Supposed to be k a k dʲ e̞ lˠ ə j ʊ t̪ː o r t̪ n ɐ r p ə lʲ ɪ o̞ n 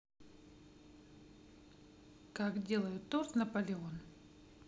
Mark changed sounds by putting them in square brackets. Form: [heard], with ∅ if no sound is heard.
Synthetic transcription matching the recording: k a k dʲ e̞ lˠ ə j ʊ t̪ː o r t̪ n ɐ [∅] p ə lʲ ɪ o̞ n